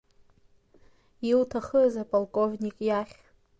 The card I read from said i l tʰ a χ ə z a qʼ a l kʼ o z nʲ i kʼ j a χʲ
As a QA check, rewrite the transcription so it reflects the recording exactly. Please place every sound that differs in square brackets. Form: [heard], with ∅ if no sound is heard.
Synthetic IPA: i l tʰ a χ ə z a [pʼ] a l kʼ o [v] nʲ i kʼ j a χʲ